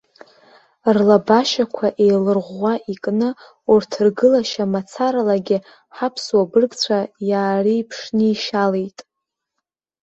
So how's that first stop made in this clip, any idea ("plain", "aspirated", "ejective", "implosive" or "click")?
plain